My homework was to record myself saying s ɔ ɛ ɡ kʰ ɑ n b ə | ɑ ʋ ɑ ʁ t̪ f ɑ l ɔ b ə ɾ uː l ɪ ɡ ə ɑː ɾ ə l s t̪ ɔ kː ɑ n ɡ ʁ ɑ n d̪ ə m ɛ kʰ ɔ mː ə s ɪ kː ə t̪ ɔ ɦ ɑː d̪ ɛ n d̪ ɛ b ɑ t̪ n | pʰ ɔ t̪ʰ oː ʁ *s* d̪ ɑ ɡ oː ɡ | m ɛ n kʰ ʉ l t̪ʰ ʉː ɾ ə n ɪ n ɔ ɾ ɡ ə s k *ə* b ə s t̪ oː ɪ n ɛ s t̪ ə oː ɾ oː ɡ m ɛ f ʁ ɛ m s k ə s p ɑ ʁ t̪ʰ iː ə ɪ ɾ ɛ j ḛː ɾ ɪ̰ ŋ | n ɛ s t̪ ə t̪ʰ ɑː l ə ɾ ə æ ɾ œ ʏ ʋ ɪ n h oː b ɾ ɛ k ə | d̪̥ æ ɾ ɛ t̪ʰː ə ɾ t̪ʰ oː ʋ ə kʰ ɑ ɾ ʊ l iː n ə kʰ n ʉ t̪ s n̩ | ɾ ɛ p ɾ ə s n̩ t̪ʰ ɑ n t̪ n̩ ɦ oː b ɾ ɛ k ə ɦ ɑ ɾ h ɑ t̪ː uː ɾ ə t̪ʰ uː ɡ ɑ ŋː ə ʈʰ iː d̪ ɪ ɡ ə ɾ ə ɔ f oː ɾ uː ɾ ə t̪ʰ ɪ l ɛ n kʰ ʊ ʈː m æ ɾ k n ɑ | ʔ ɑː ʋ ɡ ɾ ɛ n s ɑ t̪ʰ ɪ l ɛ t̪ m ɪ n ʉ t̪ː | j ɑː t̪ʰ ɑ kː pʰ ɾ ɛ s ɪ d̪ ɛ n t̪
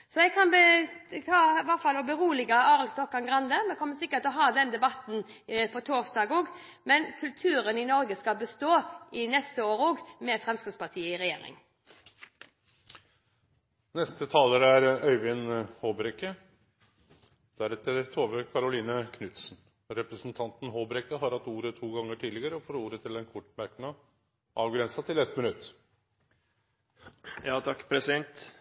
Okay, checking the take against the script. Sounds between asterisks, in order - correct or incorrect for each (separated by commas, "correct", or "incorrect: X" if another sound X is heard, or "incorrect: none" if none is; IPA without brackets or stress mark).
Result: correct, incorrect: ɑ